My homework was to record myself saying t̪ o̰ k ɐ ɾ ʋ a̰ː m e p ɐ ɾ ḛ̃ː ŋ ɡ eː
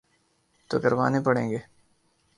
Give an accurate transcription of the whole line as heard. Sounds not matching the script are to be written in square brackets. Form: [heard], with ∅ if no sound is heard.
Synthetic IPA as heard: t̪ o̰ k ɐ ɾ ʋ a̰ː [n] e p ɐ [ɽ] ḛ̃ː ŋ ɡ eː